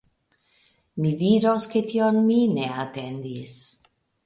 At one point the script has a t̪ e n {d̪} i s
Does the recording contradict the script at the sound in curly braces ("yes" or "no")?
no